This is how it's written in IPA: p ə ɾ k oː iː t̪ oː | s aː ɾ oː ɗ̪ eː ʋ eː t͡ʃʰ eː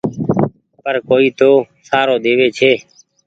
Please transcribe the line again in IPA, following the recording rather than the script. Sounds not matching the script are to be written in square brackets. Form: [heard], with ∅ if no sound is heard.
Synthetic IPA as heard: p ə ɾ k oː iː t̪ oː | s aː ɾ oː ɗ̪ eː ʋ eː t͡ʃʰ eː